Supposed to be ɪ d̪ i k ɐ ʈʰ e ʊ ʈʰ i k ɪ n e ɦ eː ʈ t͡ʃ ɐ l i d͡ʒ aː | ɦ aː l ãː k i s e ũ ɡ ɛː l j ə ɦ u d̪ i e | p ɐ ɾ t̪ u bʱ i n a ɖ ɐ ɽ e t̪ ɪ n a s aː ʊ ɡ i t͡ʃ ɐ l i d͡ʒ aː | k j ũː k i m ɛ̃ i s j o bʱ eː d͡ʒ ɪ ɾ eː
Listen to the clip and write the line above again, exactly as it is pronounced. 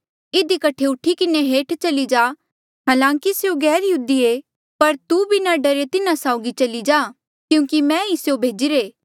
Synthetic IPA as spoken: ɪ d̪ i k ɐ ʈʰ e ʊ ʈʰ i k ɪ n e ɦ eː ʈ t͡ʃ ɐ l i d͡ʒ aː | ɦ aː l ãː k i s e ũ ɡ ɛː ɾ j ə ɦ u d̪ i e | p ɐ ɾ t̪ u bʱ i n a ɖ ɐ ɾ e t̪ ɪ n a s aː ʊ ɡ i t͡ʃ ɐ l i d͡ʒ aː | k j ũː k i m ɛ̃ i s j o bʱ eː d͡ʒ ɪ ɾ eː

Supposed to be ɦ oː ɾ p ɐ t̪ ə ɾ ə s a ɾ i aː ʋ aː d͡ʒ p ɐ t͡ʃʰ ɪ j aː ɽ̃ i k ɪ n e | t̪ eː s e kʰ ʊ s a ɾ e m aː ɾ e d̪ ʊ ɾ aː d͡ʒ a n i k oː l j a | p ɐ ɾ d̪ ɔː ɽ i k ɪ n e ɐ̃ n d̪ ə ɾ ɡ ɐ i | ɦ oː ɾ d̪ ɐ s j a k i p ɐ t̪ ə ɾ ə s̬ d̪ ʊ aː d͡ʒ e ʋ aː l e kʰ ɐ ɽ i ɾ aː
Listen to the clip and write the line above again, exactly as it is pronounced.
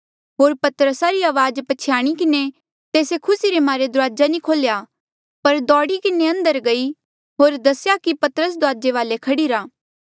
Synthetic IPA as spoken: ɦ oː ɾ p ɐ t̪ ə ɾ ə s a ɾ i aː ʋ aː d͡ʒ p ɐ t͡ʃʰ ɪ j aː ɽ̃ i k ɪ n e | t̪ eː s e kʰ ʊ s i ɾ e m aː ɾ e d̪ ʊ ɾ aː d͡ʒ a n i kʰ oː l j a | p ɐ ɾ d̪ ɔː ɽ i k ɪ n e ɐ̃ n d̪ ə ɾ ɡ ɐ i | ɦ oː ɾ d̪ ɐ s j a k i p ɐ t̪ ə ɾ ə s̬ d̪ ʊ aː d͡ʒ e ʋ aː l e kʰ ɐ ɽ i ɾ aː

